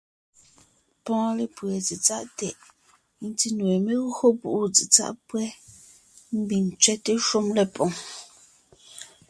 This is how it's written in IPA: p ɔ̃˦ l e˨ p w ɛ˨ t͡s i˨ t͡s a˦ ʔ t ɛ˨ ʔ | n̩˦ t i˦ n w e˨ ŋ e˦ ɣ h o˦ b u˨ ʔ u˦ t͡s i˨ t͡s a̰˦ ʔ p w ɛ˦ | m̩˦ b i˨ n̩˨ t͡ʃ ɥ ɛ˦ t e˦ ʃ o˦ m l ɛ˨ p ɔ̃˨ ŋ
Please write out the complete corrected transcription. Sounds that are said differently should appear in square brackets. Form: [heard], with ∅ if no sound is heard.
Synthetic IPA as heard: p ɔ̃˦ l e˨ p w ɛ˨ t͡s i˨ t͡s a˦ ʔ t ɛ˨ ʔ | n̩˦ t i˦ n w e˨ [m] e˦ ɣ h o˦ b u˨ ʔ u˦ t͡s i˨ t͡s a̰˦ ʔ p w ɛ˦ | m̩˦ b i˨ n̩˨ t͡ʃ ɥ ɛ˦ t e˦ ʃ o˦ m l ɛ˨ p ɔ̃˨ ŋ